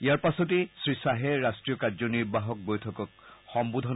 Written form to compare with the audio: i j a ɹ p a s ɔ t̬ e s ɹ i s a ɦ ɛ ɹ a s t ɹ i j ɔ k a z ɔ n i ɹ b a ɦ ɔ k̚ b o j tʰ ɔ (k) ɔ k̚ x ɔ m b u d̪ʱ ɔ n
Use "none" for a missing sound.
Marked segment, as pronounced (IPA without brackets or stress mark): k